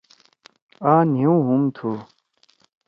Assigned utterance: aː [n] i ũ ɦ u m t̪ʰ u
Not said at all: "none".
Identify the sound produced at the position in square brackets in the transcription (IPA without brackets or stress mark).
n